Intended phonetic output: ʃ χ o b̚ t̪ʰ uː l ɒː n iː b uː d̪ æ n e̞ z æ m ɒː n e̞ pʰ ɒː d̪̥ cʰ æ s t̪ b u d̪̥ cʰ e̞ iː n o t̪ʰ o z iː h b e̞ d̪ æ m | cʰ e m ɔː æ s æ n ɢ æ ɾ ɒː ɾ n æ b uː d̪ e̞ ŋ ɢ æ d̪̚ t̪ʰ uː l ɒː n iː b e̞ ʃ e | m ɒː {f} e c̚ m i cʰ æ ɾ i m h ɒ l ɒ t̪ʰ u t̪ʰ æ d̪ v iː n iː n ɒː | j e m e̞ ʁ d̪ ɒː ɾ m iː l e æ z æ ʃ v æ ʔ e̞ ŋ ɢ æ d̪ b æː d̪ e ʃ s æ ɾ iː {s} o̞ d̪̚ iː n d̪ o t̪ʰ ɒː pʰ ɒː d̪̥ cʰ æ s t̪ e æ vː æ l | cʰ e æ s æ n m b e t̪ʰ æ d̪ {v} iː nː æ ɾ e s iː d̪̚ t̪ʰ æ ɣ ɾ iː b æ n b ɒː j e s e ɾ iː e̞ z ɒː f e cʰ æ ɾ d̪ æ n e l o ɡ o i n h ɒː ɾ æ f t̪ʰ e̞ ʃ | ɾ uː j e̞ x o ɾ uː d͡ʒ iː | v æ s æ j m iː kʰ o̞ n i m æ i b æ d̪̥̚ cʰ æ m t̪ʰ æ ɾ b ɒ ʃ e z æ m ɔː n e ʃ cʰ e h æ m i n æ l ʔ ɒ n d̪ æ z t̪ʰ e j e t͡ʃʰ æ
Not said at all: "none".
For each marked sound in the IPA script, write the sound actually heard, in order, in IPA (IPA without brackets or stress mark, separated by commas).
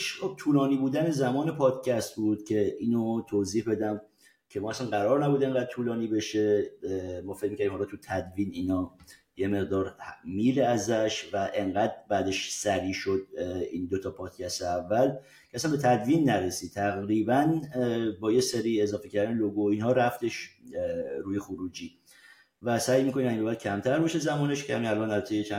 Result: f, ʃ, v